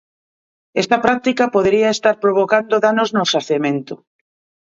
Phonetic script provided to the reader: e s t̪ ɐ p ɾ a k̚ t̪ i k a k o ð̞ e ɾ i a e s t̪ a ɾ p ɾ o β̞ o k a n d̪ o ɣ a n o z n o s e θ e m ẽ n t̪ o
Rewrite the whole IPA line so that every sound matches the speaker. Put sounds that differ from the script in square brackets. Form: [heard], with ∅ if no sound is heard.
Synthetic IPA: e s t̪ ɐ p ɾ a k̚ t̪ i k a [p] o ð̞ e ɾ i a e s t̪ a ɾ p ɾ o β̞ o k a n d̪ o [ð] a n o z n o s [a] θ e m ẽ n t̪ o

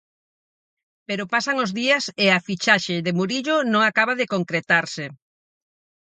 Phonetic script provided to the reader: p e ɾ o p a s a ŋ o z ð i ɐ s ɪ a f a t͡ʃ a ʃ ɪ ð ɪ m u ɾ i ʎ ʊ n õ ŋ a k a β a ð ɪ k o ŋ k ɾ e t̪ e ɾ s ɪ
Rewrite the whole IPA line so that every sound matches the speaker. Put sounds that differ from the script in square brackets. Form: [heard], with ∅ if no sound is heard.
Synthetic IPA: p e ɾ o p a s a ŋ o z ð i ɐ s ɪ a f [i] t͡ʃ a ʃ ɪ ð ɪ m u ɾ i ʎ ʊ n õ ŋ a k a β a ð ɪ k o ŋ k ɾ e t̪ [a] ɾ s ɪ

